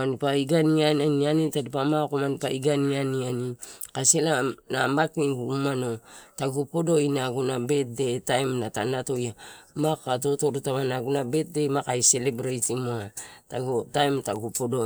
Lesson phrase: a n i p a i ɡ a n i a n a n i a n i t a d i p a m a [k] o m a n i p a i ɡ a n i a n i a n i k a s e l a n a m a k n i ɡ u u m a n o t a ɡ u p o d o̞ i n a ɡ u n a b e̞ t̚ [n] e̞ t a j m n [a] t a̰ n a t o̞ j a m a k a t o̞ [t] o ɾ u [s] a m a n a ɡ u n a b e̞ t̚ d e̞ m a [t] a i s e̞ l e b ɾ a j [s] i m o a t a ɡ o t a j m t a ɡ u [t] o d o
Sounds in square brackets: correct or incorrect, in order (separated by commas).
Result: correct, incorrect, correct, correct, incorrect, incorrect, incorrect, incorrect